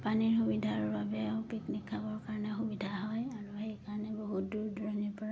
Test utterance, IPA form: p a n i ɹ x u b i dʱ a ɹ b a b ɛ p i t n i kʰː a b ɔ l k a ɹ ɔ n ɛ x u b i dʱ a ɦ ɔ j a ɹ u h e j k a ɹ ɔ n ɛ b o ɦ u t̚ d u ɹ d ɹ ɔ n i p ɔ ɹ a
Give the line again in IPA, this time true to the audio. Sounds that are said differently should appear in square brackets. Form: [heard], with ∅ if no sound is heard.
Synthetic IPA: p a n i ɹ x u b i dʱ a ɹ b a b ɛ p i [k] n i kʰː a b ɔ [ɹ] k a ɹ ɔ n ɛ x u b i dʱ a ɦ ɔ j a ɹ u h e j k a ɹ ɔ n ɛ b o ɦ u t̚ d u ɹ d ɹ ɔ n i p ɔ ɹ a